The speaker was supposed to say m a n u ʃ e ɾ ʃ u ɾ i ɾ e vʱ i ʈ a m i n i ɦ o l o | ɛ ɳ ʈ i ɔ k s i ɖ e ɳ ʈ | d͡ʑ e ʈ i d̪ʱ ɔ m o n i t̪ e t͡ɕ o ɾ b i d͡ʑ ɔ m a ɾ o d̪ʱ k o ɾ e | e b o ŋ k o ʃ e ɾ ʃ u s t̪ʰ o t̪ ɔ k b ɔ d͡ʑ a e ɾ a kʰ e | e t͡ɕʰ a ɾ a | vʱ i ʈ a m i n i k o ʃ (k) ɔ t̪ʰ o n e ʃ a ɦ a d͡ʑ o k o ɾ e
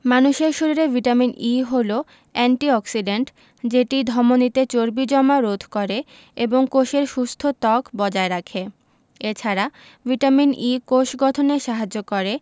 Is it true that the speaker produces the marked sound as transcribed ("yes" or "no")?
no